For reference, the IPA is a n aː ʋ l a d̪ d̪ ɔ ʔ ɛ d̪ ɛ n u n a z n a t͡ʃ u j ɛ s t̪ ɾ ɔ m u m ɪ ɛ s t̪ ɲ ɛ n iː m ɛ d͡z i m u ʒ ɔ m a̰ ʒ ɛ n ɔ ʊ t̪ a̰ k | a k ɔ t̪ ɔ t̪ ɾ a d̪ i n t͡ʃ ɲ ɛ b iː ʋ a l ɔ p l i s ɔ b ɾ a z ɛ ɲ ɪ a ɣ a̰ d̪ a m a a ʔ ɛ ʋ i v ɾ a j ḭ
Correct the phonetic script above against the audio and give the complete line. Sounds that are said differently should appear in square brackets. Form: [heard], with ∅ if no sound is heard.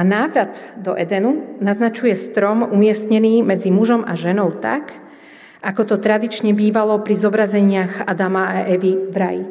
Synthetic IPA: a n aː ʋ [ɾ] a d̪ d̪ ɔ ʔ ɛ d̪ ɛ n u n a z n a t͡ʃ u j ɛ s t̪ ɾ ɔ m u m ɪ ɛ s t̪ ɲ ɛ n iː m ɛ d͡z i m u ʒ ɔ m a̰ ʒ ɛ n ɔ ʊ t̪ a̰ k | a k ɔ t̪ ɔ t̪ ɾ a d̪ i [∅] t͡ʃ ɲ ɛ b iː ʋ a l ɔ p [ɾ] i [z] ɔ b ɾ a z ɛ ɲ ɪ a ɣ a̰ d̪ a m a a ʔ ɛ ʋ i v ɾ a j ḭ